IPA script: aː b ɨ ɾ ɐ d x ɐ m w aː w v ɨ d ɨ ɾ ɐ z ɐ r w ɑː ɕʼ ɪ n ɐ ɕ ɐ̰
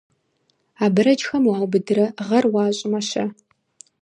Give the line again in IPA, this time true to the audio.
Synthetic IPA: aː b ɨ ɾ ɐ d͡ʒ x ɐ m w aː w b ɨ d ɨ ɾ ɐ ʁ ɐ r w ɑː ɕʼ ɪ m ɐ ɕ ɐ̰